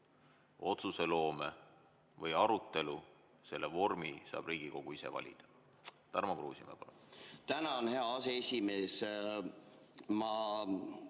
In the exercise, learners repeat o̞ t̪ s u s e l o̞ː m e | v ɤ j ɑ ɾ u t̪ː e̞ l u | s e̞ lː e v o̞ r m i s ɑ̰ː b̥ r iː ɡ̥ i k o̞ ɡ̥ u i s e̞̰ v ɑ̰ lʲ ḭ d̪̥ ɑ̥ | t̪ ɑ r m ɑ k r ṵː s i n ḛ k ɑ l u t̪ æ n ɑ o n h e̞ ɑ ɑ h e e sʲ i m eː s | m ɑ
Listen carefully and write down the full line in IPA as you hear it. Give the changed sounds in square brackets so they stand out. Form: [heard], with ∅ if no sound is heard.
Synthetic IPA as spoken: o̞ t̪ s u s e l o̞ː m e | v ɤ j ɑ ɾ u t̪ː e̞ l u | s e̞ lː e v o̞ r m i s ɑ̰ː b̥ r iː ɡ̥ i k o̞ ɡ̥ u i s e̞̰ v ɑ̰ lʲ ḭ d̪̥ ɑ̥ | t̪ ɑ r m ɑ k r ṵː s i [m] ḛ [p] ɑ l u t̪ æ n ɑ o n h e̞ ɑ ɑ [s] e e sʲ i m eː s | m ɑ